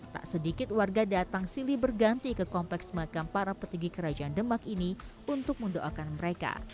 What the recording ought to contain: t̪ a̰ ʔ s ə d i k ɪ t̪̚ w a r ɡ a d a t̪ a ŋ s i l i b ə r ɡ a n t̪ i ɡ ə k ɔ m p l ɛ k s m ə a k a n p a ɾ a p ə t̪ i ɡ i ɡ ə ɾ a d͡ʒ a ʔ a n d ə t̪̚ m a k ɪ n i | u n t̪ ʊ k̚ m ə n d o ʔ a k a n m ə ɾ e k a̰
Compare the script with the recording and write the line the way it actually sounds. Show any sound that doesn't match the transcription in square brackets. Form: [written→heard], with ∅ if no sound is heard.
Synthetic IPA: t̪ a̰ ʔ s ə d i k ɪ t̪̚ w a r ɡ a d a t̪ a ŋ s i l i b ə r ɡ a n t̪ i [ɡ→k] ə k ɔ m p l ɛ k s m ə a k a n p a ɾ a p ə t̪ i ɡ i [ɡ→k] ə ɾ a d͡ʒ a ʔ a n d ə [t̪̚→∅] m a k [ɪ→i] n i | u n t̪ ʊ k̚ m ə n d o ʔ a k a n m ə ɾ e k a̰